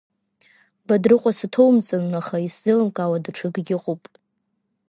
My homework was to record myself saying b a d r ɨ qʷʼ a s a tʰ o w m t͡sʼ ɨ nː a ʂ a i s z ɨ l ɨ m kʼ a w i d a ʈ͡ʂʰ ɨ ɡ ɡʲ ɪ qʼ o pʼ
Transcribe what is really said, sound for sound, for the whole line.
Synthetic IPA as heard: b a d r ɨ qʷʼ a s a tʰ o w m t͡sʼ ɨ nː a χ a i s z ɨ l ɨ m kʼ a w a d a ʈ͡ʂʰ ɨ ɡ ɡʲ ɪ qʼ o pʼ